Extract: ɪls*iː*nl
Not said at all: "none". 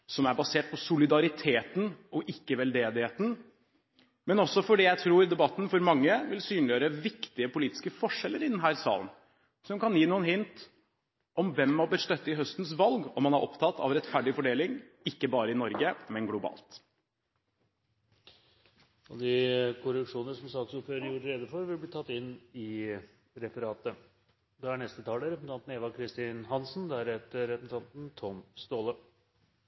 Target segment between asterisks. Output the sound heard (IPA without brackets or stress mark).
yː